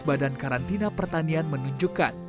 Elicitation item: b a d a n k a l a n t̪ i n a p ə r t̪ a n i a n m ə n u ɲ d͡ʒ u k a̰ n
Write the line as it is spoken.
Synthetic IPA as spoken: b a d a n k a ɾ a n t̪ i n a p ə r t̪ a n i a n m ə n u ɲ d͡ʒ u k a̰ n